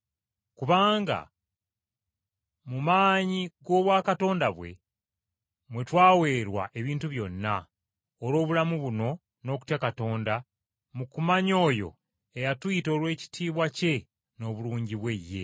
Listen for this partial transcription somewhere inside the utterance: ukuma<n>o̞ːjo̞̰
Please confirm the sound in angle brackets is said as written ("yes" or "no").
no